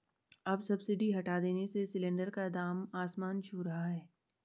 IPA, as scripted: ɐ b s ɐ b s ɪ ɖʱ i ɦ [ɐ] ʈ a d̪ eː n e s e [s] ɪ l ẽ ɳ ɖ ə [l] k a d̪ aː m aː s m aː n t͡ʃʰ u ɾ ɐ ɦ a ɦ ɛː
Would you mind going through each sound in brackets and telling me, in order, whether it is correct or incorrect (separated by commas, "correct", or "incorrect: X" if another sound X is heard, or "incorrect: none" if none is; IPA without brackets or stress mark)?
correct, correct, incorrect: ɾ